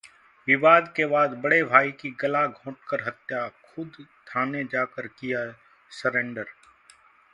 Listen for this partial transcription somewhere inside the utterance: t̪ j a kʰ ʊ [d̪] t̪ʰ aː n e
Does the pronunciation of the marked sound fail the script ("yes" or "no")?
no